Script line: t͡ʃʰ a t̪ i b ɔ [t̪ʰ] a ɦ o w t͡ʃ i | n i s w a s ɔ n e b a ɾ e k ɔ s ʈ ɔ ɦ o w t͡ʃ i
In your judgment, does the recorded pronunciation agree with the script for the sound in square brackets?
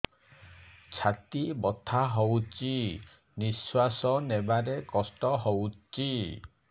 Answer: yes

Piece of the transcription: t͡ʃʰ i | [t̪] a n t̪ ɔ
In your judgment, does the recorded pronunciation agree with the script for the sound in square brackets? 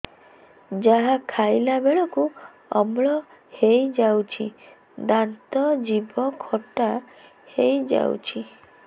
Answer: no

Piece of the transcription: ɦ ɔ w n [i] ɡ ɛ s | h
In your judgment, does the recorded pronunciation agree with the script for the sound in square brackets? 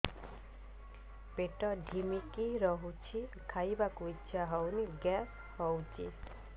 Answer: yes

